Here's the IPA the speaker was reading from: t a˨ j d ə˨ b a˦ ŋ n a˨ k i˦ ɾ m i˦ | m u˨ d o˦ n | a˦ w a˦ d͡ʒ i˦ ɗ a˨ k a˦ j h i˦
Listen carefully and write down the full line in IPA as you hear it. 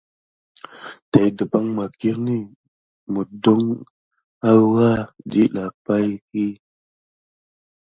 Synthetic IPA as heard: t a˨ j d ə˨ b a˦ ŋ m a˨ k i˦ ɾ n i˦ | m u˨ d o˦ ŋ | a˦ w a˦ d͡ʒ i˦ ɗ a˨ p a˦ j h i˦